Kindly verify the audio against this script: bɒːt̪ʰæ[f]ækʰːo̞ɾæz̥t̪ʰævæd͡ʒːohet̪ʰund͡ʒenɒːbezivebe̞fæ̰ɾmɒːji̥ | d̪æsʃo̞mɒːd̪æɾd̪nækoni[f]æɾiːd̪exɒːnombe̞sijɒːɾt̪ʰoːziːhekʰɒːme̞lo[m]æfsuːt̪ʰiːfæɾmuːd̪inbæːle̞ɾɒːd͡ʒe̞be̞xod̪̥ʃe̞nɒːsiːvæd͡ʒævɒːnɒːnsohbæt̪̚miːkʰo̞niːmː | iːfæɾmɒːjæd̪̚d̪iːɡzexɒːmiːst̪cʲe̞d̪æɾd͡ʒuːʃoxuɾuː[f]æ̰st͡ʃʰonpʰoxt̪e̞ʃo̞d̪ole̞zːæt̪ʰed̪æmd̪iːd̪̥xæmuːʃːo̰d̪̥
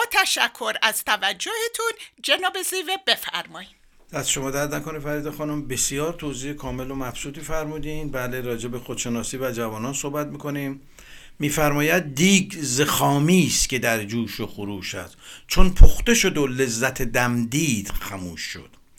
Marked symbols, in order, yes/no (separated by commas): no, yes, yes, no